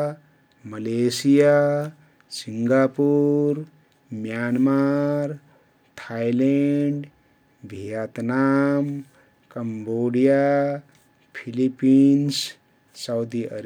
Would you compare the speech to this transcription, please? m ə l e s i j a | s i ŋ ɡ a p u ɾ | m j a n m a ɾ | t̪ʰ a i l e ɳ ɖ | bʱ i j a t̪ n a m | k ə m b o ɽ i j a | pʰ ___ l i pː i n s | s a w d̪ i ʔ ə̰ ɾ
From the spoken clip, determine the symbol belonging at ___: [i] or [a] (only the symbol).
i